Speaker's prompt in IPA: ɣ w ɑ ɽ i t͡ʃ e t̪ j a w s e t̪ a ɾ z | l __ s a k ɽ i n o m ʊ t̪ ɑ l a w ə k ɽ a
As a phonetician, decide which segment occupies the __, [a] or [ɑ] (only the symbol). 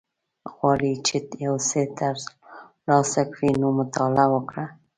ɑ